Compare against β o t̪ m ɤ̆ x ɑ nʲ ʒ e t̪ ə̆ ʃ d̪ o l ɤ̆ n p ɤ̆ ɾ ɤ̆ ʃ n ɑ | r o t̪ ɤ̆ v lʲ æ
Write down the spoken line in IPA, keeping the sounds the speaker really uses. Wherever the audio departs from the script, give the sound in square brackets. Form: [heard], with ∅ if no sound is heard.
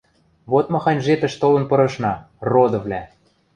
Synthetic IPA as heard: β o t̪ m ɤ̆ x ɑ nʲ ʒ e t̪ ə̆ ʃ [t̪] o l ɤ̆ n p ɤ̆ ɾ ɤ̆ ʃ n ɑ | r o [d̪] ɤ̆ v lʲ æ